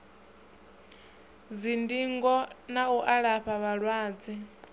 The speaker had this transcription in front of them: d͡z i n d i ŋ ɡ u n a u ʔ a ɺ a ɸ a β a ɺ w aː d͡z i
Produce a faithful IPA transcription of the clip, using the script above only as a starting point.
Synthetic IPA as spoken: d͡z i n d i ŋ ɡ ɔ n a u ʔ a ɺ a ɸ a β a ɺ w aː d͡z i